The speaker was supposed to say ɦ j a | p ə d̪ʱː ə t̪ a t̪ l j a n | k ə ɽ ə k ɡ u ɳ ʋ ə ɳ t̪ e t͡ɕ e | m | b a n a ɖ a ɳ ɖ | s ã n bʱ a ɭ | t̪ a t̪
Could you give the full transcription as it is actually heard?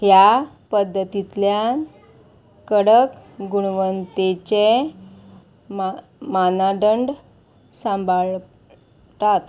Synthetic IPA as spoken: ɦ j a | p ə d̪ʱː ə t̪ i t̪ l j a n | k ə ɽ ə k ɡ u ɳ ʋ ə n t̪ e t͡ɕ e | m | m a n a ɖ ə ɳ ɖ | s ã m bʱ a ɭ | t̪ a t̪